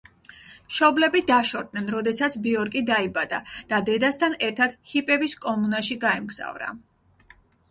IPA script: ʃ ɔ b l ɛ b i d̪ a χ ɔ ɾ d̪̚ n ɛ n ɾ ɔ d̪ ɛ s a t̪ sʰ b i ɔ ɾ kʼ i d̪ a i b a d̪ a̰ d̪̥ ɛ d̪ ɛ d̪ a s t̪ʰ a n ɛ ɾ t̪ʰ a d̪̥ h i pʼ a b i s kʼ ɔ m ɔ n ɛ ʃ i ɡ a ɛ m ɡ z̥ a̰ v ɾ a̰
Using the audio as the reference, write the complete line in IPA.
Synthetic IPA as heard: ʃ ɔ b l ɛ b i d̪ a ʃ ɔ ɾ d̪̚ n ɛ n ɾ ɔ d̪ ɛ s a t̪ sʰ b i ɔ ɾ kʼ i d̪ a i b a d̪ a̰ d̪̥ a d̪ ɛ d̪ a s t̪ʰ a n ɛ ɾ t̪ʰ a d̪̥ h i pʼ ɛ b i s kʼ ɔ m u n a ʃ i ɡ a ɛ m ɡ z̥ a̰ v ɾ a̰

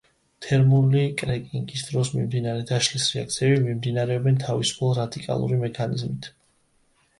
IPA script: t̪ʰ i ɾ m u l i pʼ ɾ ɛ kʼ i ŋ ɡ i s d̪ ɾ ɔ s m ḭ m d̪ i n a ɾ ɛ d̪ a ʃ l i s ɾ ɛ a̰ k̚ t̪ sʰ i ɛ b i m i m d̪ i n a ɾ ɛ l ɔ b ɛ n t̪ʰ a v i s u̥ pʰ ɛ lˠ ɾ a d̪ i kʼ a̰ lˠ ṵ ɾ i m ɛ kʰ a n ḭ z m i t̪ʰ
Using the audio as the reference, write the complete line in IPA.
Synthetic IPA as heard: t̪ʰ ɛ ɾ m u l i kʼ ɾ ɛ kʼ i ŋ ɡ i s d̪ ɾ ɔ s m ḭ m d̪ i n a ɾ ɛ d̪ a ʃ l i s ɾ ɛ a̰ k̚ t̪ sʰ i ɛ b i m i m d̪ i n a ɾ ɛ ɔ b ɛ n t̪ʰ a v i s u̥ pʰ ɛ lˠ ɾ a d̪ i kʼ a̰ lˠ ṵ ɾ i m ɛ kʰ a n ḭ z m i t̪ʰ

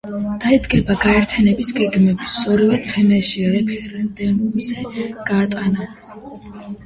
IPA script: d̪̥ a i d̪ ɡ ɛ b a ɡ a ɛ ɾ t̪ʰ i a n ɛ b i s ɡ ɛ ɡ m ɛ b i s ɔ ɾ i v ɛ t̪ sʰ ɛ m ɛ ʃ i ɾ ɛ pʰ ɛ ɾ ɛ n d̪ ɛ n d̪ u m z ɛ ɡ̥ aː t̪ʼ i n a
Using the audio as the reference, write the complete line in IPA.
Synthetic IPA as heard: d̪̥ a i d̪ ɡ ɛ b a ɡ a ɛ ɾ t̪ʰ j a n ɛ b i s ɡ ɛ ɡ m ɛ b i s ɔ ɾ i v ɛ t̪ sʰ ɛ m ɛ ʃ i ɾ ɛ pʰ ɛ ɾ ɛ n d̪ ɛ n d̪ u m z ɛ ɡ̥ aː t̪ʼ a n a

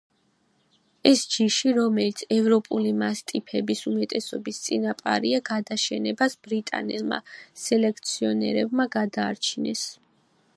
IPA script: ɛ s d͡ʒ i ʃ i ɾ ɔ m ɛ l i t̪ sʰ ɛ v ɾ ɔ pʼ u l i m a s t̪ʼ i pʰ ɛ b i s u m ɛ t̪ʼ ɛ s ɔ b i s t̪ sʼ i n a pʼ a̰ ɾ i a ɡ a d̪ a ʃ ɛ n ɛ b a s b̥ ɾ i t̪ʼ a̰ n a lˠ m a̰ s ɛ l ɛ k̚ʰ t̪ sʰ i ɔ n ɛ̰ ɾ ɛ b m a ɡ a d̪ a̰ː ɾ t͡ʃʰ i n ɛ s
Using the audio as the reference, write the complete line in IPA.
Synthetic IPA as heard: ɛ s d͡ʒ i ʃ i ɾ ɔ m ɛ l i t̪ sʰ ɛ v ɾ ɔ pʼ u l i m a s t̪ʼ i pʰ ɛ b i s u m ɛ t̪ʼ ɛ s ɔ b i s t̪ sʼ i n a pʼ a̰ ɾ i a ɡ a d̪ a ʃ ɛ n ɛ b a s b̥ ɾ i t̪ʼ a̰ n ɛ lˠ m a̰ s ɛ l ɛ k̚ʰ t̪ sʰ i ɔ n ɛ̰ ɾ ɛ b m a ɡ a d̪ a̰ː ɾ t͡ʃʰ i n ɛ s

